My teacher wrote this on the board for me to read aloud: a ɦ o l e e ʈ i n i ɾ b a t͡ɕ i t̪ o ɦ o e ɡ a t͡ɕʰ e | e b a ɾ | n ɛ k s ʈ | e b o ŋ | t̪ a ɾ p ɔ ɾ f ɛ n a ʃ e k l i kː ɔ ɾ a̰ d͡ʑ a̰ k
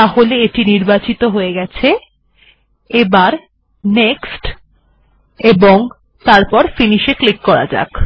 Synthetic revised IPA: a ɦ o l e e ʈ i n i ɾ b a t͡ɕ i t̪ o ɦ o e ɡ ɛ t͡ɕʰ e | e b a ɾ | n e k s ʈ | e b o ŋ | t̪ a ɾ p ɔ ɾ f i n i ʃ e k l i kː ɔ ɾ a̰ d͡ʑ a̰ k